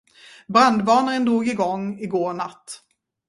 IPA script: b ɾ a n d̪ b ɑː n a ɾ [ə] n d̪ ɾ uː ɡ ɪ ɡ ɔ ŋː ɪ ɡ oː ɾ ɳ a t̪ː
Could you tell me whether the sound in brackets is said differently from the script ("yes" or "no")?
no